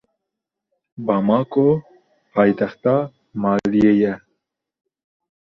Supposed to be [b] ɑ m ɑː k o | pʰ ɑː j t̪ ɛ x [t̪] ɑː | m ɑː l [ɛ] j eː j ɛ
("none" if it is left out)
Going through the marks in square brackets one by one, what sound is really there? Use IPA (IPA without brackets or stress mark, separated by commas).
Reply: b, t̪, i